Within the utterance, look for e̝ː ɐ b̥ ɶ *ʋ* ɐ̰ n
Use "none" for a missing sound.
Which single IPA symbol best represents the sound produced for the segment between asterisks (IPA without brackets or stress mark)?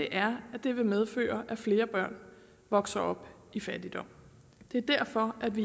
none